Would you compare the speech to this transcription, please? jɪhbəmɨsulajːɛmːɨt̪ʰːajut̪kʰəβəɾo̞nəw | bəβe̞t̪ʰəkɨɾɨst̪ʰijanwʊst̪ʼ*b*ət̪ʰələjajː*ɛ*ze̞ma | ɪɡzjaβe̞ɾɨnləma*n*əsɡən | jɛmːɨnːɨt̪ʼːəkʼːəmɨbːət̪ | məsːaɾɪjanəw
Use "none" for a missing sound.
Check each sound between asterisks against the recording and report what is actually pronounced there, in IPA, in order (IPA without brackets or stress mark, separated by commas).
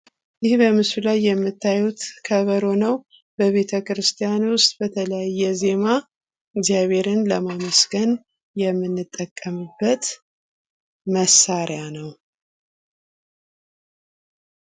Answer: b, ɛ, m